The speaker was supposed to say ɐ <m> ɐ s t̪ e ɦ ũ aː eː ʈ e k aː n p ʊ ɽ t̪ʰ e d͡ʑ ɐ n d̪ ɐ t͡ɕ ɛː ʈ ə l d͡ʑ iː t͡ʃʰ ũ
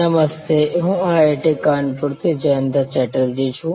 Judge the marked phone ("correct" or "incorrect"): correct